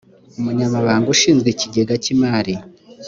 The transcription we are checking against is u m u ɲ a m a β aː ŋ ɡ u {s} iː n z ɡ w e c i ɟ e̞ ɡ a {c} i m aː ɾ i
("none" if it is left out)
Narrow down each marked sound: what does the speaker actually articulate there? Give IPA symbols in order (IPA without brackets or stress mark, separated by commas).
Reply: ʃ, c